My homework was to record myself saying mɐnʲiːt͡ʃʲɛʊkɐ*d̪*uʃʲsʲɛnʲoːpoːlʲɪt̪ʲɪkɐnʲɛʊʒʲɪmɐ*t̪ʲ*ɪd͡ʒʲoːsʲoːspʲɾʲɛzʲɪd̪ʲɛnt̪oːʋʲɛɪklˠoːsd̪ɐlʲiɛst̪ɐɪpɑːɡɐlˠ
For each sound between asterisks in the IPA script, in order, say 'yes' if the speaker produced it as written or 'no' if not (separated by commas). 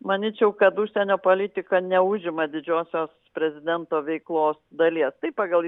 no, no